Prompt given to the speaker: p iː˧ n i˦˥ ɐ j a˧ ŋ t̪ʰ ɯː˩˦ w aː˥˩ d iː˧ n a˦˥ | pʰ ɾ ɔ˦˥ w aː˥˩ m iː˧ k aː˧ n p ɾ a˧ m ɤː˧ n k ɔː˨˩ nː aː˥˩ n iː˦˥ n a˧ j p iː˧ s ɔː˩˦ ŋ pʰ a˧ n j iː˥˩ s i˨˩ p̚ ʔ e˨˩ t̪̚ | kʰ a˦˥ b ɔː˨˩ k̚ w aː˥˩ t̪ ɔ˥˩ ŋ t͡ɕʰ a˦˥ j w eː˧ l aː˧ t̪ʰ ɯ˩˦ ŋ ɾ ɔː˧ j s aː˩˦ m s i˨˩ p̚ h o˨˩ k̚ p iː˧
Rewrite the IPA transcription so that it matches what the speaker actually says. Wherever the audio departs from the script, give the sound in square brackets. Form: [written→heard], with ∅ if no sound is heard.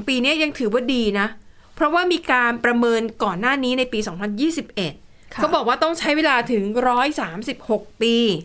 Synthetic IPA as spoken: p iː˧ n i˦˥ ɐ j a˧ ŋ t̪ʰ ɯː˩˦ w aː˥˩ d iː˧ n a˦˥ | pʰ ɾ ɔ˦˥ w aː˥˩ m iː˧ k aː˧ n p ɾ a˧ m ɤː˧ n k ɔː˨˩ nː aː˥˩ n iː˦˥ n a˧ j p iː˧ s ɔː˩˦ ŋ pʰ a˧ n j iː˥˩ s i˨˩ p̚ ʔ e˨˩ t̪̚ | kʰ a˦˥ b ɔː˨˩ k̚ w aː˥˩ t̪ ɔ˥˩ ŋ t͡ɕʰ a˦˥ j w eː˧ l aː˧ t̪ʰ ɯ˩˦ ŋ ɾ [ɔː˧→ɔː˦˥] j s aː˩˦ m s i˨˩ p̚ h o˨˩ k̚ p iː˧